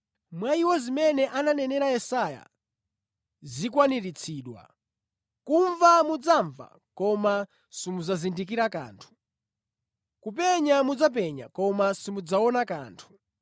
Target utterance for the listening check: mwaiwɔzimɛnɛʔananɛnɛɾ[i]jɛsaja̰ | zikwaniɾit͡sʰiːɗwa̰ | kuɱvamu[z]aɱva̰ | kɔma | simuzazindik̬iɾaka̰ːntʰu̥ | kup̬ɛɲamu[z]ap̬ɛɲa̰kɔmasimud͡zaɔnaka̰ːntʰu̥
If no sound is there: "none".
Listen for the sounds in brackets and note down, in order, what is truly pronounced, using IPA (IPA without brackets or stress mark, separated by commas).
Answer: a, d͡z, d͡z